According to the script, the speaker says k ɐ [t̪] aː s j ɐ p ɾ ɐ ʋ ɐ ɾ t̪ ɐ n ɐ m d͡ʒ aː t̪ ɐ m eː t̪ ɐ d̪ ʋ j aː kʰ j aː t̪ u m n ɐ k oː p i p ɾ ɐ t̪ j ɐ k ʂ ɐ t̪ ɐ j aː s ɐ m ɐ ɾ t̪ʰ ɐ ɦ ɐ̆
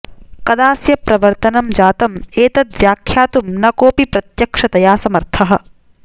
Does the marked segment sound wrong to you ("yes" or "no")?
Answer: yes